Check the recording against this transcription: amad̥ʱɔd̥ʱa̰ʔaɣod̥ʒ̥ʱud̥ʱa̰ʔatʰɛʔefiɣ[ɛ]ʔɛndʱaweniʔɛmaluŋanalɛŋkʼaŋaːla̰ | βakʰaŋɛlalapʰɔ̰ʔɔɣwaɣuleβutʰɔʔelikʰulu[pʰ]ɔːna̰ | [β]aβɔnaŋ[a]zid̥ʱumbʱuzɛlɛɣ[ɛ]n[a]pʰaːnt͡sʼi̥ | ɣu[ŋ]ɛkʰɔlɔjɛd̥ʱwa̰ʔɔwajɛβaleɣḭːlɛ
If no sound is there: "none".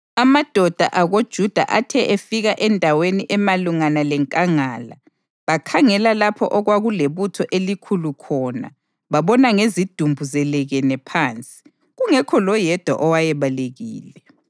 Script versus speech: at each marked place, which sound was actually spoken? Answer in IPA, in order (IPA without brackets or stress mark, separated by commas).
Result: a, kʰ, β, e, ɛ, ɛ, ŋ